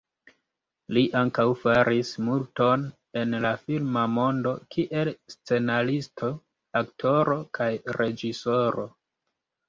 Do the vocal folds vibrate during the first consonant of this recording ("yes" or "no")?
yes